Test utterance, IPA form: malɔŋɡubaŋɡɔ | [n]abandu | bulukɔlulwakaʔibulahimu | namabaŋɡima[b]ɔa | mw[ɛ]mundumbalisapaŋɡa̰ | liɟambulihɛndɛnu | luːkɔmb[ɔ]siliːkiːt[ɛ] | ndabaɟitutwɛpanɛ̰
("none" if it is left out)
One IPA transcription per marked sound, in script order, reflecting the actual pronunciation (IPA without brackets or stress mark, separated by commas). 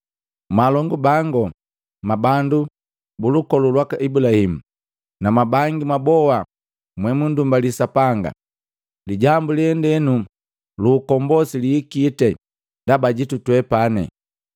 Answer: m, b, ɛ, ɔ, ɛ